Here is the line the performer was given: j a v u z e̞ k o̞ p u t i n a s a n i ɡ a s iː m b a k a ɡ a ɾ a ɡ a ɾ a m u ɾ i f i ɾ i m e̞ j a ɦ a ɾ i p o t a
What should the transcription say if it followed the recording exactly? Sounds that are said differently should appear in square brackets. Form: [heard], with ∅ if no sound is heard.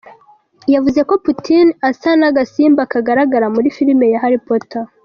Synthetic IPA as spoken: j a v u z e̞ k o̞ p u t i n a s a n [a] ɡ a s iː m b a k a ɡ a ɾ a ɡ a ɾ a m u ɾ i f i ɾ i m e̞ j a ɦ a ɾ i p o t a